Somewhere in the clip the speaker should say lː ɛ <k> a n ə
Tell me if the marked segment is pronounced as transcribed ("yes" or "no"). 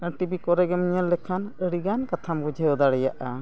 no